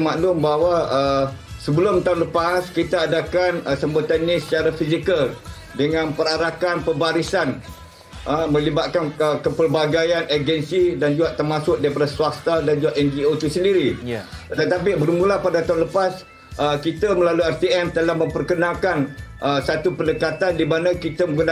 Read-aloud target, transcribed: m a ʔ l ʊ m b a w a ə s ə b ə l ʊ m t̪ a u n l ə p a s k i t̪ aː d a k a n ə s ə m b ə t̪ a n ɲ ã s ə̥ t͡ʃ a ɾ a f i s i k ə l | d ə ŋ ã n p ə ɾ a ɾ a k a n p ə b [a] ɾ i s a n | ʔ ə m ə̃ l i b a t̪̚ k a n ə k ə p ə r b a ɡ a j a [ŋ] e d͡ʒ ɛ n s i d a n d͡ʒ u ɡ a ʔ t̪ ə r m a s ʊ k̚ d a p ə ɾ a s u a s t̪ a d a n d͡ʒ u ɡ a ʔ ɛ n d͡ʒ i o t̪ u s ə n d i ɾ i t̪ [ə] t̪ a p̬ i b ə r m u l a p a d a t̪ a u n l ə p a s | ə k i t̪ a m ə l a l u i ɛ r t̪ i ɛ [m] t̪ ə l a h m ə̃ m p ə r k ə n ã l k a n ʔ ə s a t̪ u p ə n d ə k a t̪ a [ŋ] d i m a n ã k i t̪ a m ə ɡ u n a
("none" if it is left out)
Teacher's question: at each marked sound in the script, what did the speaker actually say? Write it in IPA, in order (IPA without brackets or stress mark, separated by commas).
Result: a, n, ə, m, n